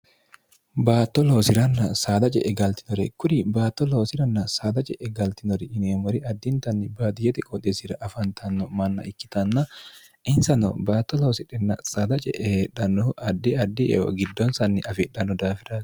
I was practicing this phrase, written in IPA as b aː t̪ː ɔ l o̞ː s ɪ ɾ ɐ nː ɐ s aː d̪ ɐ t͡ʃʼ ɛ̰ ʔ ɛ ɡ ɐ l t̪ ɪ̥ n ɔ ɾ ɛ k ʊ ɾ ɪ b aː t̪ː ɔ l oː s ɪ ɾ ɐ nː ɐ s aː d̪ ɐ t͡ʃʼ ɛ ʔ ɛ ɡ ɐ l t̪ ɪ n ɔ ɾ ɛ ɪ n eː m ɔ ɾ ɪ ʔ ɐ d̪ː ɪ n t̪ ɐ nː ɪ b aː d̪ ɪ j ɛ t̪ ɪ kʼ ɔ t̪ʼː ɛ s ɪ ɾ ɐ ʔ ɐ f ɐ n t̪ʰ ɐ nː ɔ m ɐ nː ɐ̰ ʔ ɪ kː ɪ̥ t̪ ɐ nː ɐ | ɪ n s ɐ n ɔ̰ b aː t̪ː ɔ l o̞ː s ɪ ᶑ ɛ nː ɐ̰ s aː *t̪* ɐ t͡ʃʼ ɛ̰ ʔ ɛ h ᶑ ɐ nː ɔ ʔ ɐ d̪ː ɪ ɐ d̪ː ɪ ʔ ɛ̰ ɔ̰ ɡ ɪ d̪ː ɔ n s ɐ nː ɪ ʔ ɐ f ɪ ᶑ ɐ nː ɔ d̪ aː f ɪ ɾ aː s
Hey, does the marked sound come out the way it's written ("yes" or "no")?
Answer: no